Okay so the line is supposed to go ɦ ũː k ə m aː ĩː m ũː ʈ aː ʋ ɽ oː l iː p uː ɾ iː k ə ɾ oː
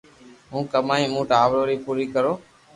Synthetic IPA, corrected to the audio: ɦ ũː k ə m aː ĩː m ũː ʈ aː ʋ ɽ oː ɾ iː p uː ɾ iː k ə ɾ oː